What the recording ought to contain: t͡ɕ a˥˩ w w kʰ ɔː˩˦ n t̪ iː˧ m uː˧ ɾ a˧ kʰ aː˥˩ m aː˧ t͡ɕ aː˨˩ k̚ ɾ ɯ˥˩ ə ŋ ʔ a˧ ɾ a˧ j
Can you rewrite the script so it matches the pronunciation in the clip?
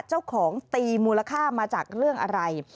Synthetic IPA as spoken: t͡ɕ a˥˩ w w kʰ ɔː˩˦ ŋ t̪ iː˧ m uː˧ l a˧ kʰ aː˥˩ m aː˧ t͡ɕ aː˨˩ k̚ ɾ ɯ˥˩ ə ŋ ʔ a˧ ɾ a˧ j